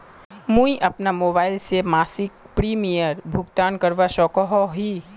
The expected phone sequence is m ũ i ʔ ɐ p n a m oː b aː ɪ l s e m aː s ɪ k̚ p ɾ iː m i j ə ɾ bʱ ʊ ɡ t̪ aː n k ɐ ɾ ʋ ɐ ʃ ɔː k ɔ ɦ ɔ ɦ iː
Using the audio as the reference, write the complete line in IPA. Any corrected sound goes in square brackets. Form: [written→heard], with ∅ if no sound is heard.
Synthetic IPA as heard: m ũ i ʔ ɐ p n a m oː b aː ɪ l s e m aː s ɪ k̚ p ɾ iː m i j ə ɾ bʱ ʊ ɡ t̪ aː n k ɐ ɾ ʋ [ɐ→a] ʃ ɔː k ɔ ɦ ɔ ɦ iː